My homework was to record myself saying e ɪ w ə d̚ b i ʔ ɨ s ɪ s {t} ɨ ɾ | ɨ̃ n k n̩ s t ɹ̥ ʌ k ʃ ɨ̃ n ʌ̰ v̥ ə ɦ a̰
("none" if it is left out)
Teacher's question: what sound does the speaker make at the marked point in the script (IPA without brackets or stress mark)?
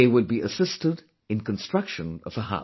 t